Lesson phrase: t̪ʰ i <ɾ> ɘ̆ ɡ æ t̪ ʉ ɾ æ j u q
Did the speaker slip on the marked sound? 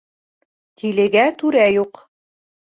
yes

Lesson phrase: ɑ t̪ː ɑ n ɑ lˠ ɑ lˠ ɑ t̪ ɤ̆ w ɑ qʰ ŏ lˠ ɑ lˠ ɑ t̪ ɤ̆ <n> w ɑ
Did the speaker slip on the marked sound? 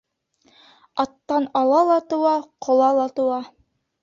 yes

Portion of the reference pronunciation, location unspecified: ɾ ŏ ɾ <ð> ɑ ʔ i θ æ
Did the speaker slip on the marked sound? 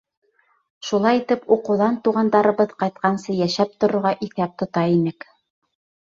yes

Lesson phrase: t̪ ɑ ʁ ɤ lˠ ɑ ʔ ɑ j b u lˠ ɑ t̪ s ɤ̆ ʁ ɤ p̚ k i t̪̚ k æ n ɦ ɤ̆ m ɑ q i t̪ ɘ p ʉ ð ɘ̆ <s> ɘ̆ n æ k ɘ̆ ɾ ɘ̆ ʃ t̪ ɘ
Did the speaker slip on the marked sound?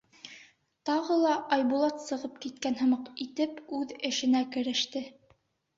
yes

